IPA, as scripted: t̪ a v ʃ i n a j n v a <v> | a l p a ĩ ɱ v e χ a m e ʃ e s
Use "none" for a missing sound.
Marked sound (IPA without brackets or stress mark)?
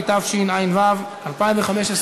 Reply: v